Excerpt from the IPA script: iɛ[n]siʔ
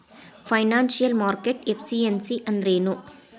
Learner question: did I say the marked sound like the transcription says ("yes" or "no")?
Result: yes